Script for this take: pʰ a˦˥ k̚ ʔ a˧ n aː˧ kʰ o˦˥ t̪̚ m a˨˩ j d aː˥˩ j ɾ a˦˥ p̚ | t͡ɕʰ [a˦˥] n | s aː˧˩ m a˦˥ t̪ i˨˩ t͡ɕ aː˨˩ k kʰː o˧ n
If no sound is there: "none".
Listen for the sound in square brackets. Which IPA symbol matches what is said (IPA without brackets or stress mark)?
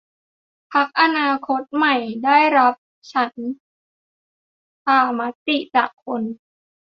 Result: a˦˥